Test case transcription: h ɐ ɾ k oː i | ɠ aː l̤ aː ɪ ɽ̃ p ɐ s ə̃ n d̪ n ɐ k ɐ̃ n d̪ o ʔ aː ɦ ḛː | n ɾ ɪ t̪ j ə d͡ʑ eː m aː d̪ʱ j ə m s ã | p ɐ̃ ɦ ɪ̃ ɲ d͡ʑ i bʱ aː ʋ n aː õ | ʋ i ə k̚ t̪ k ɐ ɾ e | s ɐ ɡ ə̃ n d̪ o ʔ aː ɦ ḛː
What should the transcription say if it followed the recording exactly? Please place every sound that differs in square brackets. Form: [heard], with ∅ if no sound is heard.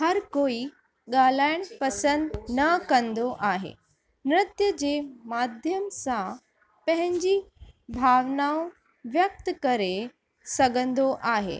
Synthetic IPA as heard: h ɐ ɾ k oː i | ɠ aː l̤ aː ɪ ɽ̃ p ɐ s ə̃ n d̪ n ɐ k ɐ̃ n d̪ o ʔ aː ɦ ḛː | n ɾ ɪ t̪ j ə d͡ʑ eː m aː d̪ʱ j ə m s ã | p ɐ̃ ɦ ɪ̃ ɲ d͡ʑ i bʱ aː ʋ n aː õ | ʋ [j] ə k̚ t̪ k ɐ ɾ e | s ɐ ɡ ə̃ n d̪ o ʔ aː ɦ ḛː